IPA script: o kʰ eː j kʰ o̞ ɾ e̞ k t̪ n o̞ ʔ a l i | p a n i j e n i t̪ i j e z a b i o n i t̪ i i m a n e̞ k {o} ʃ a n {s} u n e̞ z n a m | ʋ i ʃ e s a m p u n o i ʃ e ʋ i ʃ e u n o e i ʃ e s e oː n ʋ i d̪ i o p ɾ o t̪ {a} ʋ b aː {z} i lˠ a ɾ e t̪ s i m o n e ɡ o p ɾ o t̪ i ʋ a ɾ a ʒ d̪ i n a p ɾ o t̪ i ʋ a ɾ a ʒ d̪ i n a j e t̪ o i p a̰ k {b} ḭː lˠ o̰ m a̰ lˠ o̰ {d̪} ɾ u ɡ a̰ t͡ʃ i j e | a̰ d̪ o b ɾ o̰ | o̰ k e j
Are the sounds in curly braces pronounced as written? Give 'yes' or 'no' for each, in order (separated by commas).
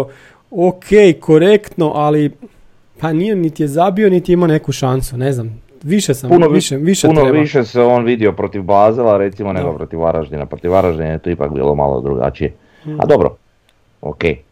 no, yes, no, yes, yes, yes